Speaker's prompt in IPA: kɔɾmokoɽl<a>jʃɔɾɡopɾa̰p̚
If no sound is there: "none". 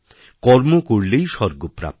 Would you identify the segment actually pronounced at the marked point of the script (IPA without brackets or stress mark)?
e